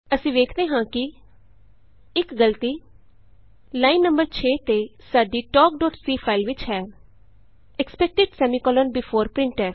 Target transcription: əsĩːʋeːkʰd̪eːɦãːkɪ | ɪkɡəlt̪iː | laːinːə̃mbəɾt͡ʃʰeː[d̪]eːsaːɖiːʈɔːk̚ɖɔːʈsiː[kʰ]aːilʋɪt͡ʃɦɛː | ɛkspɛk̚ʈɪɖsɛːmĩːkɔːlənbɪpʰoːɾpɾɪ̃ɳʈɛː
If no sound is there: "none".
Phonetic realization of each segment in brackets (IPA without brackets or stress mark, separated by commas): t̪, pʰ